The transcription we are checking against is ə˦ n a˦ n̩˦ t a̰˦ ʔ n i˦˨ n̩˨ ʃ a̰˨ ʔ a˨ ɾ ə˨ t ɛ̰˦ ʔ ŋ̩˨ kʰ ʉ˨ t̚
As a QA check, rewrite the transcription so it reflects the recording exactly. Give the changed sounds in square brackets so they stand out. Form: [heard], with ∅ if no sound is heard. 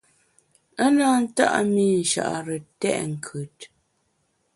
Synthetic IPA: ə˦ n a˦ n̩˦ t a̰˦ ʔ [m] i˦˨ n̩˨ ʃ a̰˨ ʔ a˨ ɾ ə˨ t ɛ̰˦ ʔ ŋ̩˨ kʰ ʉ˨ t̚